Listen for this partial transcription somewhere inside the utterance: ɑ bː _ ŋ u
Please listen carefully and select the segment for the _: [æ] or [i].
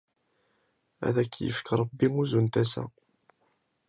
i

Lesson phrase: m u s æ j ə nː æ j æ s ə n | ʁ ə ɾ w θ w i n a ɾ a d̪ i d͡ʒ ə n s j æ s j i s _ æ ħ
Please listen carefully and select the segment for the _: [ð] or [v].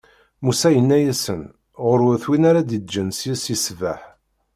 v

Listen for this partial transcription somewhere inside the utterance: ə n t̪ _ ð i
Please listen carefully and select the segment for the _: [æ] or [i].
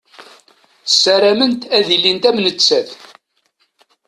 æ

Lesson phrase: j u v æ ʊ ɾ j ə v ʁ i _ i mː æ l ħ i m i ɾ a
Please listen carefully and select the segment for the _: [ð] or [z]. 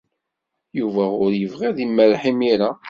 ð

